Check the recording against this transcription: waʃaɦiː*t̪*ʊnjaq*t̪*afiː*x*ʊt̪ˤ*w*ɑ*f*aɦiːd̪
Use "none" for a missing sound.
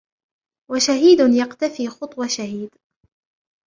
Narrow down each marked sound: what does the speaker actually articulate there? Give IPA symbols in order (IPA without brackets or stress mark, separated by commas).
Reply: d̪, t̪, x, w, ʃ